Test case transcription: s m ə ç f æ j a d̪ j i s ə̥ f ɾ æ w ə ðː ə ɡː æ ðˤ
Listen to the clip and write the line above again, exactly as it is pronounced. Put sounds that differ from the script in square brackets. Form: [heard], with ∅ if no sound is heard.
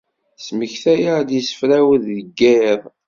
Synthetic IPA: s m ə ç [θ] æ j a d̪ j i s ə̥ f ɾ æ w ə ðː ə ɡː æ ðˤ